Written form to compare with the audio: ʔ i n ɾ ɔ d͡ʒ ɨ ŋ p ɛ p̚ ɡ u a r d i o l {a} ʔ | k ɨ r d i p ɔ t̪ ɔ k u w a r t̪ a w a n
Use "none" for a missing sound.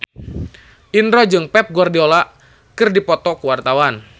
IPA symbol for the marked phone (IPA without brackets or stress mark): a